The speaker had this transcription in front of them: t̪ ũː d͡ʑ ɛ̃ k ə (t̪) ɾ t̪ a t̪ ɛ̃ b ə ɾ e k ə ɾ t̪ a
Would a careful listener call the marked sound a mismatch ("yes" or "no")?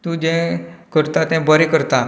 yes